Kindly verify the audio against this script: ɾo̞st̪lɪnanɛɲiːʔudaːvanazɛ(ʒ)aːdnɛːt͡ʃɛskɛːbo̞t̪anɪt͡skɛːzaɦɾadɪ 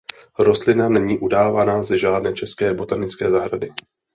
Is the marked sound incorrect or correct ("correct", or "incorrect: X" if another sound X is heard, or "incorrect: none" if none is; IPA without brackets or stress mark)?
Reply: correct